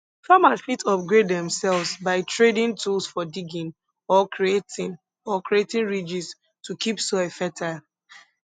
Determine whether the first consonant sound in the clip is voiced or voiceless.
voiceless